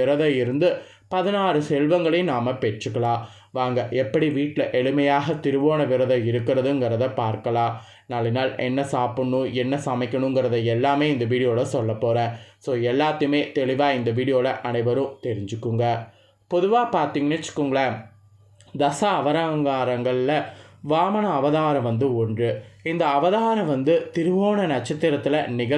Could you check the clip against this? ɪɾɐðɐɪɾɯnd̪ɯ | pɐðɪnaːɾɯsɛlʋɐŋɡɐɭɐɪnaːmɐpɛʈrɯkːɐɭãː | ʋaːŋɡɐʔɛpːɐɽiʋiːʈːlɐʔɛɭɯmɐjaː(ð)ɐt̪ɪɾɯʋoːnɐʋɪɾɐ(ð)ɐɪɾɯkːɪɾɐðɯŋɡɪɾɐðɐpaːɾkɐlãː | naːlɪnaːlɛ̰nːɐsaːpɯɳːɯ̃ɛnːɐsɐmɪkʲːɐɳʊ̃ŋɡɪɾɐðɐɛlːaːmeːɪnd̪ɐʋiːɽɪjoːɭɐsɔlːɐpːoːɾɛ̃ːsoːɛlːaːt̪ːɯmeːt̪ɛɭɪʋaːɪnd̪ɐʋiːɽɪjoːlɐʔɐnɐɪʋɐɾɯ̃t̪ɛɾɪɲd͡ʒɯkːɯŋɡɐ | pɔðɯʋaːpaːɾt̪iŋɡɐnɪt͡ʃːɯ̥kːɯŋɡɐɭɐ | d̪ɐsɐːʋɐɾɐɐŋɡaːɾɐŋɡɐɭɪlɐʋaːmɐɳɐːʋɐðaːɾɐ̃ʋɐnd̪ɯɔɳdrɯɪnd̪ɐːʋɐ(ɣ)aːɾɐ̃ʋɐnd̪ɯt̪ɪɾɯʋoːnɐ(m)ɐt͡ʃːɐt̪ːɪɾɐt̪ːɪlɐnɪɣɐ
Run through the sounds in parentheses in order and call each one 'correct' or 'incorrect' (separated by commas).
incorrect, correct, incorrect, incorrect